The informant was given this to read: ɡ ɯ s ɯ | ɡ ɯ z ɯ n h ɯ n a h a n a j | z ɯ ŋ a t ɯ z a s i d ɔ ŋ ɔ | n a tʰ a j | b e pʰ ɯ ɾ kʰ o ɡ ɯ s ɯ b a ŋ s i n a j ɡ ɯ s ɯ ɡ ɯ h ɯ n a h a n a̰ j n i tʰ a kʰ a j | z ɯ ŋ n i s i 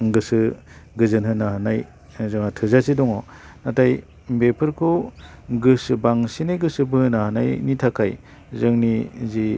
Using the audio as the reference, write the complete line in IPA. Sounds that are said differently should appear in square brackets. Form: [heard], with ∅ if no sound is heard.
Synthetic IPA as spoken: ɡ ɯ s ɯ | ɡ ɯ z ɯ n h ɯ n a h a n a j | z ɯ ŋ a [tʰ] ɯ z a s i d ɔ ŋ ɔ | n a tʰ a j | b e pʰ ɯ ɾ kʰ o ɡ ɯ s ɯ b a ŋ s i n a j ɡ ɯ s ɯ [b] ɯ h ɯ n a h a n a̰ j n i tʰ a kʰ a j | z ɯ ŋ n i [z] i